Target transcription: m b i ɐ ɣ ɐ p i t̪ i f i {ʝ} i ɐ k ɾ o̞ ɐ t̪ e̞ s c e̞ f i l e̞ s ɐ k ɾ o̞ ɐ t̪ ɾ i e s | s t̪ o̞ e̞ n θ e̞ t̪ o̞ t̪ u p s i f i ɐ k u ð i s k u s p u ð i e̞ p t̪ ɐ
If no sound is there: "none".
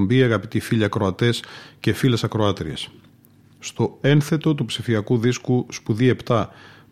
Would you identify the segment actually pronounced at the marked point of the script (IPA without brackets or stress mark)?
ʎ